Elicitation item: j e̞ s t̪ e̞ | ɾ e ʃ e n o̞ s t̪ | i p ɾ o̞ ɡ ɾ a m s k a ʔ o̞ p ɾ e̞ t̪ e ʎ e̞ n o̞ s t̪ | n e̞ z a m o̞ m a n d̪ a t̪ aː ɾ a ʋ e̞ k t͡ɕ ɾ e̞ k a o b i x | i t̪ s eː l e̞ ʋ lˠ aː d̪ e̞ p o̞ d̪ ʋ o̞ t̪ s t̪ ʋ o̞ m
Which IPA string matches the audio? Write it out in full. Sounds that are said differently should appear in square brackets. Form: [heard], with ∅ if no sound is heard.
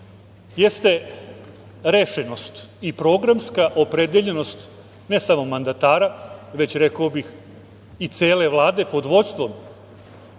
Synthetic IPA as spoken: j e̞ s t̪ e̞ | ɾ e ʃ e n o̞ s t̪ | i p ɾ o̞ ɡ ɾ a m s k a ʔ o̞ p ɾ e̞ [d̪] e ʎ e̞ n o̞ s t̪ | n e̞ [s] a m o̞ m a n d̪ a t̪ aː ɾ a ʋ e̞ [∅] t͡ɕ ɾ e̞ k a o b i x | i t̪ s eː l e̞ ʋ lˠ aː d̪ e̞ p o̞ d̪ ʋ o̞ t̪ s t̪ ʋ o̞ m

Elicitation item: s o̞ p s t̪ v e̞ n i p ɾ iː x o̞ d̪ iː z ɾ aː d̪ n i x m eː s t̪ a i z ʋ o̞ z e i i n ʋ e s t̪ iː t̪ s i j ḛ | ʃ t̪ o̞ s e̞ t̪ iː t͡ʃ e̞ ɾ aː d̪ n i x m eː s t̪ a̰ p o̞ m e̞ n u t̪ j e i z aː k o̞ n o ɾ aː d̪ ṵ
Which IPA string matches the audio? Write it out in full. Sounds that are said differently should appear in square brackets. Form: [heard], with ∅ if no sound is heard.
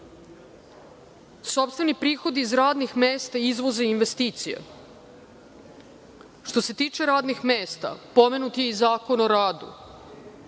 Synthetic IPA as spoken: s o̞ p s t̪ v e̞ n i p ɾ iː x o̞ d̪ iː z ɾ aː d̪ n i x m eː s t̪ a i z ʋ o̞ z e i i n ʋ e s t̪ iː t̪ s i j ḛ | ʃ t̪ o̞ s e̞ t̪ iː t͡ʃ e̞ ɾ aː d̪ n i x m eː s t̪ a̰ p o̞ m e̞ n u t̪ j e i z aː k o̞ n o ɾ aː d̪ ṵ

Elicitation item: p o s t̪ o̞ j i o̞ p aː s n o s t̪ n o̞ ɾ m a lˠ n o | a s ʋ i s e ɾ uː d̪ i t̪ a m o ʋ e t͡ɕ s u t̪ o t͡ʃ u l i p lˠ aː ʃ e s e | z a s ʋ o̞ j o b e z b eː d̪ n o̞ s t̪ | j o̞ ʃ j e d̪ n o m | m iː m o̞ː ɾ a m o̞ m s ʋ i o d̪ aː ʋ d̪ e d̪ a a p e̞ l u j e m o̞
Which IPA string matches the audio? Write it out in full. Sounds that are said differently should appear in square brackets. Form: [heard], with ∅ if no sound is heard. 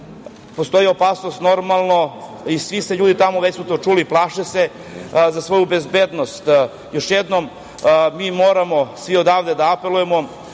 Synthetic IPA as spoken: p o s t̪ o̞ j i o̞ p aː s n o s t̪ n o̞ ɾ m a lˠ n o | [i] s ʋ i s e [ʎ] uː d̪ i t̪ a m o ʋ e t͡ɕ s u t̪ o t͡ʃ u l i p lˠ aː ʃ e s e | z a s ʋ o̞ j [u] b e z b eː d̪ n o̞ s t̪ | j o̞ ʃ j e d̪ n o m | m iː m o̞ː ɾ a m o̞ [∅] s ʋ i o d̪ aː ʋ d̪ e d̪ a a p e̞ l u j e m o̞

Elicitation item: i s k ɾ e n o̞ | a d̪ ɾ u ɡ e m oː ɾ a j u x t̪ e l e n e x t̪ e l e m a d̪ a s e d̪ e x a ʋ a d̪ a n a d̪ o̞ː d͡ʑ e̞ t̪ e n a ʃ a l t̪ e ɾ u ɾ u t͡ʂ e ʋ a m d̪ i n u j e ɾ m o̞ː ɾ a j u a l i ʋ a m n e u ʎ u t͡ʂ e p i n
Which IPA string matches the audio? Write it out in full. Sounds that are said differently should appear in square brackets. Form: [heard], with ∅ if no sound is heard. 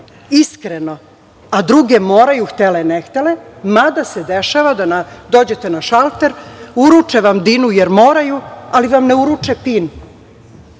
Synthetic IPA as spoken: i s k ɾ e n o̞ | a d̪ ɾ u ɡ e m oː ɾ a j u x t̪ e l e n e x t̪ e l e m a d̪ a s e d̪ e [ʃ] a ʋ a d̪ a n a d̪ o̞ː d͡ʑ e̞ t̪ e n a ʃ a l t̪ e ɾ u ɾ u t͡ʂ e ʋ a m d̪ i n u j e ɾ m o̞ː ɾ a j u a l i ʋ a m n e u [ɾ] u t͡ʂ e p i n

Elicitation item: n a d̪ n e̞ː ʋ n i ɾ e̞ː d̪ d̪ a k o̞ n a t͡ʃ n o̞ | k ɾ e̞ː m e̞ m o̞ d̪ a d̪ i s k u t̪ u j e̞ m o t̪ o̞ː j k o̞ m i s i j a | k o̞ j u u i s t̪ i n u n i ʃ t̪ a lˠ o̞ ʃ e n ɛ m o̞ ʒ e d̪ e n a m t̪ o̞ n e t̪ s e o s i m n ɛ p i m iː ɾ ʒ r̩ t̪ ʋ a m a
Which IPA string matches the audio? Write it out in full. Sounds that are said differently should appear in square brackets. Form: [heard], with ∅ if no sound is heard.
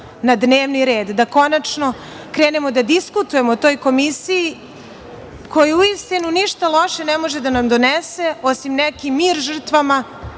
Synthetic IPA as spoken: n a d̪ n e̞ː ʋ n i ɾ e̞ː d̪ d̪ a k o̞ n a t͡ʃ n o̞ | k ɾ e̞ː [n] e̞ m o̞ d̪ a d̪ i s k u t̪ u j e̞ m o t̪ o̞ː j k o̞ m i s i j [i] | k o̞ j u u i s t̪ i n u n i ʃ t̪ a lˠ o̞ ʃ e n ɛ m o̞ ʒ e d̪ [a] n a m [d̪] o̞ n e [∅] s e o s i m n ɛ [k] i m iː ɾ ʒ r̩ t̪ ʋ a m a

